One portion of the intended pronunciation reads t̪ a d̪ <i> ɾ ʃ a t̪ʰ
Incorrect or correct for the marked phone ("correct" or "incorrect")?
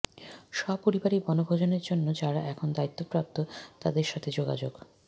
incorrect